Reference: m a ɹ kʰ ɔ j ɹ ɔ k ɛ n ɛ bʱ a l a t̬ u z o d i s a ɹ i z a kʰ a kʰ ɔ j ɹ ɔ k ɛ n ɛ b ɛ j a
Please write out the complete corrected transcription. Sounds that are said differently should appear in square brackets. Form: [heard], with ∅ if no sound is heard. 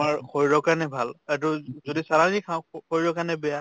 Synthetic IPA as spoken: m a ɹ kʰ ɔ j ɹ ɔ k [a] n ɛ bʱ a l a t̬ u z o d i s a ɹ [a] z [i] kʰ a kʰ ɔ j ɹ ɔ k [a] n ɛ b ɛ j a

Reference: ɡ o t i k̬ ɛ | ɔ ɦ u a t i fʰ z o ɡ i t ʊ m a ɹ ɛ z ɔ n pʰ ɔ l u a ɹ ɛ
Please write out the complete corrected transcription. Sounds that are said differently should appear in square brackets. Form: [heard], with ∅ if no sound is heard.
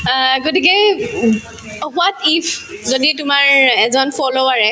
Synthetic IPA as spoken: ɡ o t i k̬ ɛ | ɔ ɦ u a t i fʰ z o [d] i t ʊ m a ɹ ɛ z ɔ n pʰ ɔ l [o] a ɹ ɛ

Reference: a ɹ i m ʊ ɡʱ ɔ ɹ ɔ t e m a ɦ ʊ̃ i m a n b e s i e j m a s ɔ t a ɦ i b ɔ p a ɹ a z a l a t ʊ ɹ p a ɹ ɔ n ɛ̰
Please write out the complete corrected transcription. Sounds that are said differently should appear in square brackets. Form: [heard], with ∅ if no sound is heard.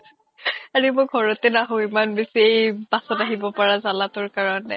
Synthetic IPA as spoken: a ɹ i m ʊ ɡʱ ɔ ɹ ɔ t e [n] a ɦ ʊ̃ i m a n b e s i e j [b] a s ɔ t a ɦ i b ɔ p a ɹ a z a l a t ʊ ɹ [k] a ɹ ɔ n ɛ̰

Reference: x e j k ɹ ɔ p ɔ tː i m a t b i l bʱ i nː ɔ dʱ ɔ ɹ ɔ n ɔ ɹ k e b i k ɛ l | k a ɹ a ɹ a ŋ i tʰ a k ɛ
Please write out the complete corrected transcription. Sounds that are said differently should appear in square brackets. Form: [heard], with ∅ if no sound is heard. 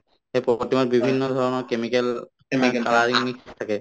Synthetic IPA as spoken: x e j [p] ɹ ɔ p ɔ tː i m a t b i [∅] bʱ i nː ɔ dʱ ɔ ɹ ɔ n ɔ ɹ k e [m] i k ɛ l | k a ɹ a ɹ [i] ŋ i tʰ a k ɛ

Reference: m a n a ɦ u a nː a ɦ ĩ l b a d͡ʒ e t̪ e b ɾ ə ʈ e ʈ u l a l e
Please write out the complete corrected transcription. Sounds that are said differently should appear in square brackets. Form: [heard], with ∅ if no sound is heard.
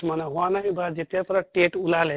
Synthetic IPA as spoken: m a n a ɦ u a [n] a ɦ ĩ [∅] b a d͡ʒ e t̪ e [p] ɾ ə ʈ e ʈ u l a l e

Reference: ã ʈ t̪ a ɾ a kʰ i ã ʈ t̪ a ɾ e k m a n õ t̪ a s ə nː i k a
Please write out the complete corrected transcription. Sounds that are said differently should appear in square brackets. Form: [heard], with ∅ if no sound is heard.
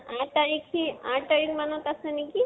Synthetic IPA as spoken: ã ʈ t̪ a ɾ [i] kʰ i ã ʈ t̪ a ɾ [i] k m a n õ t̪ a s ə [n] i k [i]

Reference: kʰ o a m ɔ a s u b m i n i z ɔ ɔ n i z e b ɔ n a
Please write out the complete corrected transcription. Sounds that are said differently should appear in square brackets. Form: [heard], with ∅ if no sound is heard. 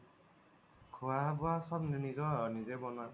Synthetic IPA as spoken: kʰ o a [b] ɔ a s [ɔ] b [n] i n i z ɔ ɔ n i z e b ɔ n a

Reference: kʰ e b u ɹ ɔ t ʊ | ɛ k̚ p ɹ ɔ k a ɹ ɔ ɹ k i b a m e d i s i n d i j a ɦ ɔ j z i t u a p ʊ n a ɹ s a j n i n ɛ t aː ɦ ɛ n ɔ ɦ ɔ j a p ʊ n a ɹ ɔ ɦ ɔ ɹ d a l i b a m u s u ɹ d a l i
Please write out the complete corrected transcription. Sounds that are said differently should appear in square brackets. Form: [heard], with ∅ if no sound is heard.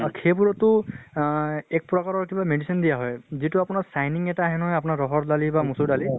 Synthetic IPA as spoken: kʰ e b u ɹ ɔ t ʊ | ɛ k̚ p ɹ ɔ k a ɹ ɔ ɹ k i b a m e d i s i n d i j a ɦ ɔ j z i t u a p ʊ n a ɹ s a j n i [ŋ] ɛ t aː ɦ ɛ n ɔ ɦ ɔ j a p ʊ n a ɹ ɔ ɦ ɔ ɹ d a l i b a m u s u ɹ d a l i

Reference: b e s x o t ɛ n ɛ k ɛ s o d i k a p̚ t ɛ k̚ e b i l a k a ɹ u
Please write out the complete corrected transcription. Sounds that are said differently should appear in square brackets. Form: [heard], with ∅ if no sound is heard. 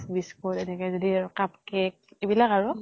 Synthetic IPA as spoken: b [i] s [k] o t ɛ n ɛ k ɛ [z] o d i k a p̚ [k] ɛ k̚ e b i l a k a ɹ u

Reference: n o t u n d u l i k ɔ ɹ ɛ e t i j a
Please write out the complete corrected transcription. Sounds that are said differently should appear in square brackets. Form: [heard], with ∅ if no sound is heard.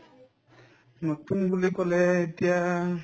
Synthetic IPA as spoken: n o t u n [b] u l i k ɔ [l] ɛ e t i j a

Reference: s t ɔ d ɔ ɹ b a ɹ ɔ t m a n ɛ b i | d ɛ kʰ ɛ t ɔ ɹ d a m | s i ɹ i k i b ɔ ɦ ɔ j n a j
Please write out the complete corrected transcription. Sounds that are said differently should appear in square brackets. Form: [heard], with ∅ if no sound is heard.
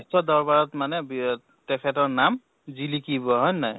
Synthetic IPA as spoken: s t ɔ d ɔ ɹ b a ɹ ɔ t m a n ɛ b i | [t] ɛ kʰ ɛ t ɔ ɹ [n] a m | [z] i [l] i k i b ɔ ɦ ɔ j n a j

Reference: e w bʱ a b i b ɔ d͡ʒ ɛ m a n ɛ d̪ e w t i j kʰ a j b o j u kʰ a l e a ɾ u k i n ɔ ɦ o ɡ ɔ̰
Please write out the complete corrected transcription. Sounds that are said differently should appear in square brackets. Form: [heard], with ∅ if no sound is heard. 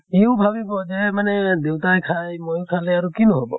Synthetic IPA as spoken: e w bʱ a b i b ɔ d͡ʒ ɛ m a n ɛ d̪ e w t [a] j kʰ a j [m] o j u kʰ a l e a ɾ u k i n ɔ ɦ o [b] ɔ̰

